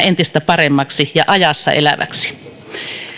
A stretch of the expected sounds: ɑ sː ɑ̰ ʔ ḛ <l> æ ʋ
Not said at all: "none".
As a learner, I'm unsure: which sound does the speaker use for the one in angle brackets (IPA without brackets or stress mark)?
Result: l